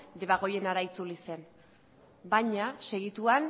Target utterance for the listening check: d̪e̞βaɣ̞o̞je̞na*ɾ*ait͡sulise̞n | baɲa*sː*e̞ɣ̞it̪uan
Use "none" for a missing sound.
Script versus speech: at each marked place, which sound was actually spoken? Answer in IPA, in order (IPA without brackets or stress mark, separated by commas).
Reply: ɾ, s